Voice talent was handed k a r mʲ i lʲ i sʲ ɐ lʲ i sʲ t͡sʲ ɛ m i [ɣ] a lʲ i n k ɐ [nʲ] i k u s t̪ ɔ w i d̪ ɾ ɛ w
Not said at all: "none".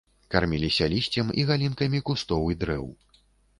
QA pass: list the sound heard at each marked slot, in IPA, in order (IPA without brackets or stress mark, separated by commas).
ɣ, mʲ